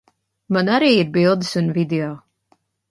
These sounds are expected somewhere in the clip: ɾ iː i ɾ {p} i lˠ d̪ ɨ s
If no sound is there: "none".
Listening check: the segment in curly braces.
b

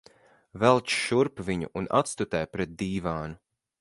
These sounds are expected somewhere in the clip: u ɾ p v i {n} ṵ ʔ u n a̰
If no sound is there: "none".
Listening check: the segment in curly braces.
ɲ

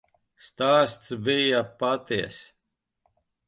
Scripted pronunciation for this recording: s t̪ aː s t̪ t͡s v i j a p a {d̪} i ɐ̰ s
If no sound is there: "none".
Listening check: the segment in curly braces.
t̪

